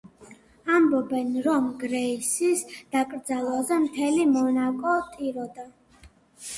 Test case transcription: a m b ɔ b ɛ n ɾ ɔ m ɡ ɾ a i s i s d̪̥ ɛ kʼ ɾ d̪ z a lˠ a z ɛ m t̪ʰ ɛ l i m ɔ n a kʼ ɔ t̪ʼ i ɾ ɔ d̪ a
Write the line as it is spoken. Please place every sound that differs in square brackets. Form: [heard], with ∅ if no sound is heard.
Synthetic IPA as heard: a m b ɔ b ɛ n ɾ ɔ m ɡ ɾ [ɛ] i s i s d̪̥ [a] kʼ ɾ d̪ z a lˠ a z ɛ m t̪ʰ ɛ l i m ɔ n a kʼ ɔ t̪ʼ i ɾ ɔ d̪ a